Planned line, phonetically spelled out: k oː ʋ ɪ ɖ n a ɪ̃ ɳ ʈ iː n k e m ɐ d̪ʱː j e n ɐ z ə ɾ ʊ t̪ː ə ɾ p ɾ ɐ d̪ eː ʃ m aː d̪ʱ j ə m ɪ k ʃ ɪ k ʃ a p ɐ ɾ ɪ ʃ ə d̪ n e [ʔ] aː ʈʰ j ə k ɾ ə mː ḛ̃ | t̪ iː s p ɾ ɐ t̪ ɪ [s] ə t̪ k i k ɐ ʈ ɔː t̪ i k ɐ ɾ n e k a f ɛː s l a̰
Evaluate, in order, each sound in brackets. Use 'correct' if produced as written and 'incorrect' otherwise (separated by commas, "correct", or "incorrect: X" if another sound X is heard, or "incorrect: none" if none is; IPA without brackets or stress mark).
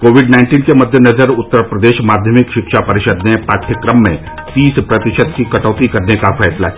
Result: incorrect: p, incorrect: ʃ